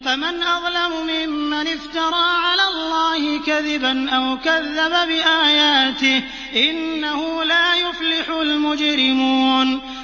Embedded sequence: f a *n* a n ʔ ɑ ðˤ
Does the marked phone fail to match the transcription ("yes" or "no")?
yes